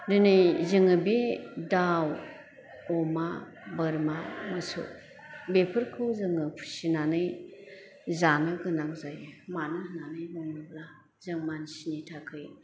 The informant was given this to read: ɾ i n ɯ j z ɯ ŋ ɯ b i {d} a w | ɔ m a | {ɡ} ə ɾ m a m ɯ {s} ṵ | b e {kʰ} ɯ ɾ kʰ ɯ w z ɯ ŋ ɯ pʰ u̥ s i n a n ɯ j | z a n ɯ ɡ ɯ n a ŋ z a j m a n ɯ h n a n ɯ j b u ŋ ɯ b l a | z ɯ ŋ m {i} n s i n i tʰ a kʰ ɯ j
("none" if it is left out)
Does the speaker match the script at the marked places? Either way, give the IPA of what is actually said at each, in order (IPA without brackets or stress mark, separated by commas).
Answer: d, b, s, pʰ, a